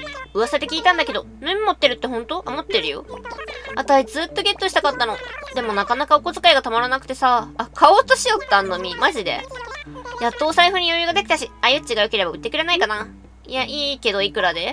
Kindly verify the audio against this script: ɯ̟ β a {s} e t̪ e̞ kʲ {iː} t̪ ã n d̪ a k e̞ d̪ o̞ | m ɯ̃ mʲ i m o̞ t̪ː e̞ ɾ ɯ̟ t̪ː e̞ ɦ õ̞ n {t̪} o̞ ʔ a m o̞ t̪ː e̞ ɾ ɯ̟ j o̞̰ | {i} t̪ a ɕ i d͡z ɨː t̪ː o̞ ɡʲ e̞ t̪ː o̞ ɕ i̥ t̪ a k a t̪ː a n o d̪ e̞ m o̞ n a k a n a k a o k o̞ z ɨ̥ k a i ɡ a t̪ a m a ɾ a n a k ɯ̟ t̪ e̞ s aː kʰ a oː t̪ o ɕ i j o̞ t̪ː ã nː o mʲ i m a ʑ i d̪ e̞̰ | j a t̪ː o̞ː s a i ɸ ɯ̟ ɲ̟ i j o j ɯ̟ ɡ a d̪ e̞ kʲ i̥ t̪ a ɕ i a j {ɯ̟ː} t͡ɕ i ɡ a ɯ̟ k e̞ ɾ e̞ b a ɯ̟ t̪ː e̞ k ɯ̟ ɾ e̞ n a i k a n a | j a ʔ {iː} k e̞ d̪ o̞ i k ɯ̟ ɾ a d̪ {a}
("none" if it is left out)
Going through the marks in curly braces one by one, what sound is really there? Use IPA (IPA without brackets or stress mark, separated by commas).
s, iː, t̪, a, ɯ̟, iː, e